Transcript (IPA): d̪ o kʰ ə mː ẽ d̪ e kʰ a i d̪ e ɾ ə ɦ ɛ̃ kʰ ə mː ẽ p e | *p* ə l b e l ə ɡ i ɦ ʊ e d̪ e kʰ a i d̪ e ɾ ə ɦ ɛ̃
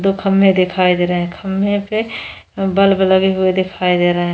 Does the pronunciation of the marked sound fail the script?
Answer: yes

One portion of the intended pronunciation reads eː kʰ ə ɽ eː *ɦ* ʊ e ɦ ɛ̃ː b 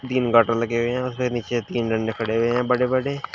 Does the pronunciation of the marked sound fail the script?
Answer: no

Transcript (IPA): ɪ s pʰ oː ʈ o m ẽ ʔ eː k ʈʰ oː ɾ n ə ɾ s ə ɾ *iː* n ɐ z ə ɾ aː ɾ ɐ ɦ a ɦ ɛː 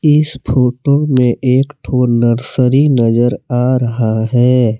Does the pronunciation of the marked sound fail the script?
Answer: yes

